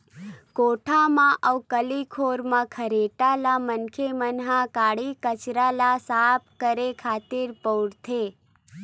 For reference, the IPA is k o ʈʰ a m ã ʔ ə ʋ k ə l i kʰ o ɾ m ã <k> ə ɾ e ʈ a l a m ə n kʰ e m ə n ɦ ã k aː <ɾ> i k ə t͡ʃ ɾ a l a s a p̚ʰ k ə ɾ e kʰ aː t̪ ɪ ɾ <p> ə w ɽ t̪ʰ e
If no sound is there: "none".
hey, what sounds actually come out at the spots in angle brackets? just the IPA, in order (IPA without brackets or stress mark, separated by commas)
kʰ, ɽ, p